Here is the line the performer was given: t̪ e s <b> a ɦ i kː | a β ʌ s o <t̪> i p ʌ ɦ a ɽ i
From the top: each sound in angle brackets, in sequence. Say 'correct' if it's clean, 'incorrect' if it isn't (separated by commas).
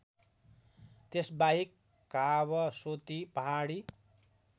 correct, correct